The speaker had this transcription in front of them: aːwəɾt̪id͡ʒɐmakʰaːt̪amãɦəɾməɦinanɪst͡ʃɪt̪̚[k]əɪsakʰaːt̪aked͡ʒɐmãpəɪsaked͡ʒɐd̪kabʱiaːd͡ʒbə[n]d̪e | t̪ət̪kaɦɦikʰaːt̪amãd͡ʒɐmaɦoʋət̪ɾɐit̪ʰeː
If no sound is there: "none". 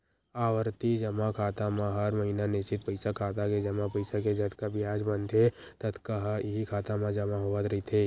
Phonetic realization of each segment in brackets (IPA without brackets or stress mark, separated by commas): p, n